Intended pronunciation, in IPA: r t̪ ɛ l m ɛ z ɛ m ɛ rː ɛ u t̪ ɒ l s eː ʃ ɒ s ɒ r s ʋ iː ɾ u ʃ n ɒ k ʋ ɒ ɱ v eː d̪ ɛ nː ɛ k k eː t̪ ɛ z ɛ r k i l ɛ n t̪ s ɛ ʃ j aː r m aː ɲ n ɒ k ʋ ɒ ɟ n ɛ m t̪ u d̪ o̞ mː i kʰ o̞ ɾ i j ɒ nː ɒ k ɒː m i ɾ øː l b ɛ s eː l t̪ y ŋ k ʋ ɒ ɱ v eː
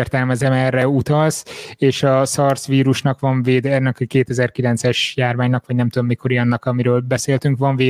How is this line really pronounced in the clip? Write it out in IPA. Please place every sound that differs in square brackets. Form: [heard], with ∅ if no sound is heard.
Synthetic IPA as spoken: r t̪ ɛ l m ɛ z ɛ m ɛ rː ɛ u t̪ ɒ l s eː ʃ ɒ s ɒ r s ʋ iː ɾ u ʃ n ɒ k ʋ ɒ ɱ v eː d̪ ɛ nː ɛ k k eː t̪ ɛ z ɛ r k i l ɛ n t̪ s ɛ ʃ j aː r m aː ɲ n ɒ k ʋ ɒ ɟ n ɛ m t̪ u d̪ o̞ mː i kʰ o̞ ɾ i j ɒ nː ɒ k [ɒ] m i ɾ øː l b ɛ s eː l t̪ y ŋ k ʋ ɒ ɱ v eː